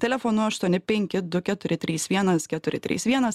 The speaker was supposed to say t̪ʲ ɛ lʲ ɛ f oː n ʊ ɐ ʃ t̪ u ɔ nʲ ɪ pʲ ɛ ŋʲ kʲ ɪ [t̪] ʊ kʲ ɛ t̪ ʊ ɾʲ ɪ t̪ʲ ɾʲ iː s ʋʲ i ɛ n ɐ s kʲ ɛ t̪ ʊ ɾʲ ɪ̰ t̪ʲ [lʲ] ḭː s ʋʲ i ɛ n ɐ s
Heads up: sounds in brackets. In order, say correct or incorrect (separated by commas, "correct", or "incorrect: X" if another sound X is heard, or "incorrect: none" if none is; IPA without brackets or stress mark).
incorrect: d̪, incorrect: ɾʲ